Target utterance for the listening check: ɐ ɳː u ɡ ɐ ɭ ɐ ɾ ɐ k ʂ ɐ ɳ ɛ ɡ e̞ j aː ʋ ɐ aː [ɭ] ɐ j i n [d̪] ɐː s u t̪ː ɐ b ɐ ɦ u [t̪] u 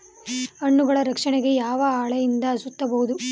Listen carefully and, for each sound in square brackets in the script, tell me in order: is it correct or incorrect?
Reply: correct, correct, incorrect

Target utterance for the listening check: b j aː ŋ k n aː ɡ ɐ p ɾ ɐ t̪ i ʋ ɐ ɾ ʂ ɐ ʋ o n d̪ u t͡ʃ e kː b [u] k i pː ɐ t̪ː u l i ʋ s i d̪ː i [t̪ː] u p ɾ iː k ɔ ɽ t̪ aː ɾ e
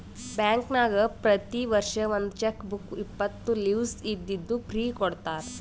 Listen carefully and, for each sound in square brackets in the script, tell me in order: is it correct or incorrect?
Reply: correct, incorrect

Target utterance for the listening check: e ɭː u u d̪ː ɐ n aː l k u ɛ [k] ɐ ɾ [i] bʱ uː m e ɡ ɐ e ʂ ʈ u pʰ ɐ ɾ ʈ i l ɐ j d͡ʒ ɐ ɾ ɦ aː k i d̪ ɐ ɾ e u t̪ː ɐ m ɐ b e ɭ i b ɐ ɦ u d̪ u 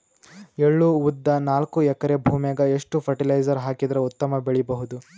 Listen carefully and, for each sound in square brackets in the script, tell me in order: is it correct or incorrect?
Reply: correct, incorrect

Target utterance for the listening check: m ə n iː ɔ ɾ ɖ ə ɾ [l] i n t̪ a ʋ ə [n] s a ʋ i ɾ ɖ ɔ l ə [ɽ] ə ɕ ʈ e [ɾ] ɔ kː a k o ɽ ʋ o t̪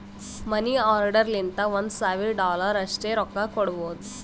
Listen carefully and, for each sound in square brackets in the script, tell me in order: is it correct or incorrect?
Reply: correct, correct, incorrect, correct

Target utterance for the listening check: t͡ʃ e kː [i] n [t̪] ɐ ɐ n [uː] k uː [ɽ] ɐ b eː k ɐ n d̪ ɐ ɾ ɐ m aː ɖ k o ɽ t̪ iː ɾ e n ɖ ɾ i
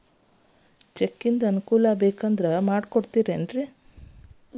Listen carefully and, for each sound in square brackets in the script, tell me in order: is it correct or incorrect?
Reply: correct, incorrect, incorrect, incorrect

